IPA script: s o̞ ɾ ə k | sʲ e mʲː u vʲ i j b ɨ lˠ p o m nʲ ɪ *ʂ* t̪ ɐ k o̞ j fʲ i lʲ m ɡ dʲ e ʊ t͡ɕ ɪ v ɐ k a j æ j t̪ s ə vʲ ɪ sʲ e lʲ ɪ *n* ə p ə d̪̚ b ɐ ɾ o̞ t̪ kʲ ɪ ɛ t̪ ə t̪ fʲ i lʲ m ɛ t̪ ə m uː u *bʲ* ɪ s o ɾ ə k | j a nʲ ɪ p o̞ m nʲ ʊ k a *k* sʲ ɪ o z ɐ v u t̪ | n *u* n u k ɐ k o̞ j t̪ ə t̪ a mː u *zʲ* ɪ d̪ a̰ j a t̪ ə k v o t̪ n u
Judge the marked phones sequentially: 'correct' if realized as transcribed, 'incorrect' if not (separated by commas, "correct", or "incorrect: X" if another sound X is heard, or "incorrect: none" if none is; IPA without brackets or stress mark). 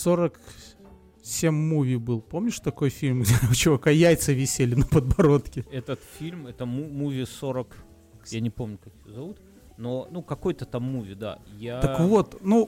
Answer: correct, correct, incorrect: vʲ, correct, incorrect: o, incorrect: vʲ